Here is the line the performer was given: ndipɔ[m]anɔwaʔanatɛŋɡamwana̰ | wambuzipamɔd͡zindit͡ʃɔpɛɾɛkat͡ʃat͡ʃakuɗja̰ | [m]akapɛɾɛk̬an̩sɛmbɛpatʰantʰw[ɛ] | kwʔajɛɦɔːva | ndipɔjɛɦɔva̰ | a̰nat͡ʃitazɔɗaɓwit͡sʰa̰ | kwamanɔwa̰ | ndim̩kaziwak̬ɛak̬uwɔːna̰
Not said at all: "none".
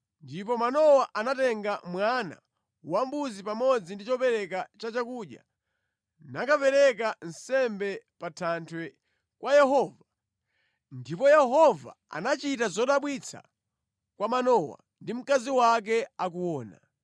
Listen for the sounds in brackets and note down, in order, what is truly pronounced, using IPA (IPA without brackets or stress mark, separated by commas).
m, n, ɛ